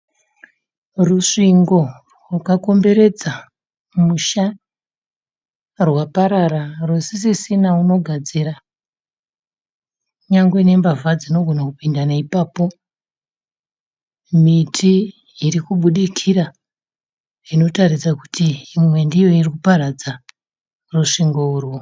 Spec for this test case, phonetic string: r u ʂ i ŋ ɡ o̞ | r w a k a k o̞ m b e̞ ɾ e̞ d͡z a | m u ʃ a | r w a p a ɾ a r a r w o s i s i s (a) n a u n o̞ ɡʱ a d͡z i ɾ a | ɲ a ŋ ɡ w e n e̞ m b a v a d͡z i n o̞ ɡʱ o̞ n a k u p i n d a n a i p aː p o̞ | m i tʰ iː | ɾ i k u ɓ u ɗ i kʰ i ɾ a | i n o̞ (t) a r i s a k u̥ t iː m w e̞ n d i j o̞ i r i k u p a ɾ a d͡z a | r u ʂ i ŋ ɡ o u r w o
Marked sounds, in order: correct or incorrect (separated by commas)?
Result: incorrect, correct